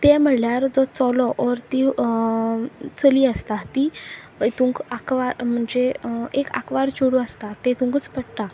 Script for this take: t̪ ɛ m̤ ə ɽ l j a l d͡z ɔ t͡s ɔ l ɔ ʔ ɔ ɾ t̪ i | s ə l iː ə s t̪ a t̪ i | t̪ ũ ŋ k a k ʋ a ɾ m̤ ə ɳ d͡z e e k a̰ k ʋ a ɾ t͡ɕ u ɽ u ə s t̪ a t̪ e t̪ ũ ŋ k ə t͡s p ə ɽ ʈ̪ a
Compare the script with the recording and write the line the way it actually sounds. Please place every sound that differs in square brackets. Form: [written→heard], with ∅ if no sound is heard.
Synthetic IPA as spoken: t̪ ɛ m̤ ə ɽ l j a [l→ɾ] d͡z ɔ t͡s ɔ l ɔ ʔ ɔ ɾ t̪ i | [s→t͡s] ə l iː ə s t̪ a t̪ i | t̪ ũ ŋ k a k ʋ a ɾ m̤ ə ɳ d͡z e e k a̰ k ʋ a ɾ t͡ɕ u ɽ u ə s t̪ a t̪ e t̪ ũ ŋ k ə t͡s p ə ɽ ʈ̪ a